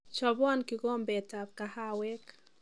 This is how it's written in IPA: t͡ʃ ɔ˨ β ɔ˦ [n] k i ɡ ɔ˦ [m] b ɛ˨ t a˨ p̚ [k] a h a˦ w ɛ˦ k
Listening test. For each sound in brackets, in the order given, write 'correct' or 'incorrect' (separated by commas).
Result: correct, correct, correct